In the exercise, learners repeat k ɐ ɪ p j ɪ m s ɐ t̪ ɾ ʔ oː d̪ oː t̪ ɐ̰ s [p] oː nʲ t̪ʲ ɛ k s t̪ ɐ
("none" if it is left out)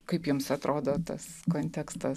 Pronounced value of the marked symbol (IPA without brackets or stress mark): k